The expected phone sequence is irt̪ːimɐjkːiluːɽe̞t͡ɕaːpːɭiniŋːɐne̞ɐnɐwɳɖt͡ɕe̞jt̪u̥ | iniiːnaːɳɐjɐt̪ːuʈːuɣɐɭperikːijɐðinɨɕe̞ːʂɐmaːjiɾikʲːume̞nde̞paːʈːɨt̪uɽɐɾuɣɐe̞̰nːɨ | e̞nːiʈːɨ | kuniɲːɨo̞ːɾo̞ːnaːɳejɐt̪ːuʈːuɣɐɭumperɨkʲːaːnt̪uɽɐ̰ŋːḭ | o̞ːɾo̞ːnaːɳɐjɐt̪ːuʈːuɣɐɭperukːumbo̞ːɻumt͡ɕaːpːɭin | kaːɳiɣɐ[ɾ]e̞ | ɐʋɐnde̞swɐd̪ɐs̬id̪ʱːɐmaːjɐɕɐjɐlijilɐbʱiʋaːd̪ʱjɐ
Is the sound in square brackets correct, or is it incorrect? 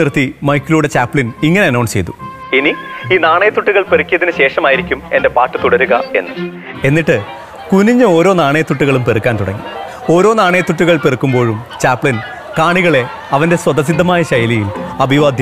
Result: incorrect